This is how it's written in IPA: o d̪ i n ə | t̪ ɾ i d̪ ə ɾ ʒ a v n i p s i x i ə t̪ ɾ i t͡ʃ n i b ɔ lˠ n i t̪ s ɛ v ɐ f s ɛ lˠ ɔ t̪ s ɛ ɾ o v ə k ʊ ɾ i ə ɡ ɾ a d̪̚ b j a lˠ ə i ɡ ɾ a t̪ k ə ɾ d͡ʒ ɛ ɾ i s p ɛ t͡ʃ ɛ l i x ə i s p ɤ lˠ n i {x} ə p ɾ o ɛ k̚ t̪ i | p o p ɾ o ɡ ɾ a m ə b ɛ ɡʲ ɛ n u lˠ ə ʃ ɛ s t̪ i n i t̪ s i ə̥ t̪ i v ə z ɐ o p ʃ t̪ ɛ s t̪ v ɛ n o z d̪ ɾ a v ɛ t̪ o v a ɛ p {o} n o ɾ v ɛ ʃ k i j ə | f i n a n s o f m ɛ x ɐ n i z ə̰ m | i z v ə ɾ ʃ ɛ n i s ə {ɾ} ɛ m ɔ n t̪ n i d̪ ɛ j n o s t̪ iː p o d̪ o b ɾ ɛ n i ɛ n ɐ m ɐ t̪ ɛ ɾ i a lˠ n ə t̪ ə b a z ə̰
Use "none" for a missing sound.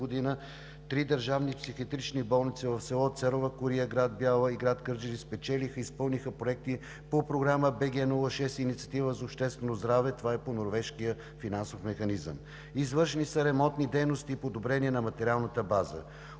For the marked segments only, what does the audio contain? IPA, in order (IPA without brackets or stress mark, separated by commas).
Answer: x, o, ɾ